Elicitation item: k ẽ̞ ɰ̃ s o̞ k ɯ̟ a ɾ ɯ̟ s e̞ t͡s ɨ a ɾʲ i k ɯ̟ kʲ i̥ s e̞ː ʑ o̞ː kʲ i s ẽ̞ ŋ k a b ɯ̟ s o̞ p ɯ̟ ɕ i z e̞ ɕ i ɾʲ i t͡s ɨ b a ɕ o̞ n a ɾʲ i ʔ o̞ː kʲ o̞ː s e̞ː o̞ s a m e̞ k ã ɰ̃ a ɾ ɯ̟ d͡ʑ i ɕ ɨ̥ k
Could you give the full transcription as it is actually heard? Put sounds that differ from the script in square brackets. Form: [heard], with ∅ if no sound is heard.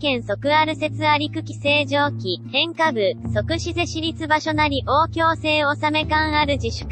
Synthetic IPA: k ẽ̞ ɰ̃ s o̞ k ɯ̟ a ɾ ɯ̟ s e̞ t͡s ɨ a ɾʲ i k ɯ̟ kʲ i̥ s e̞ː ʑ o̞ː kʲ i [h] ẽ̞ ŋ k a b ɯ̟ s o̞ [k] ɯ̟ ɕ i z e̞ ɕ i ɾʲ i t͡s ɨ b a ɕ o̞ n a ɾʲ i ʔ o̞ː kʲ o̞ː s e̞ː o̞ s a m e̞ k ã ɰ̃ a ɾ ɯ̟ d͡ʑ i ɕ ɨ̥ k